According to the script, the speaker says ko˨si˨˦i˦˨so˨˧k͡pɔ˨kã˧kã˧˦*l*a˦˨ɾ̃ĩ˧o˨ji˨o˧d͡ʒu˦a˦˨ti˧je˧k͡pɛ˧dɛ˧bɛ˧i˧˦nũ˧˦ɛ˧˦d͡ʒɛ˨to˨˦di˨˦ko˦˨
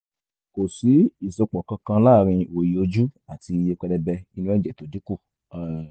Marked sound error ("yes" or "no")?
no